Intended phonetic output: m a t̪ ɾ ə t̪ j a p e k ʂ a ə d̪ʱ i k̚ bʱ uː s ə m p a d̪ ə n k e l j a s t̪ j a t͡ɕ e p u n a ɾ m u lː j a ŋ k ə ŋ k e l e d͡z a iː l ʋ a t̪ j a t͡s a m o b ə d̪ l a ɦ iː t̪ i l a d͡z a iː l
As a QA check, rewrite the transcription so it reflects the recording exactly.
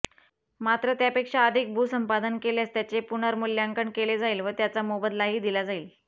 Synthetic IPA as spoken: m a t̪ ɾ ə t̪ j a p e k ʂ a ə d̪ʱ i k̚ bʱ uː s ə m p a d̪ ə n k e l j a s t̪ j a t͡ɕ e p u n a ɾ m u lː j a ŋ k ə ɳ k e l e d͡z a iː l ʋ ə t̪ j a t͡s a m o b ə d̪ l a ɦ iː d̪ i l a d͡z a iː l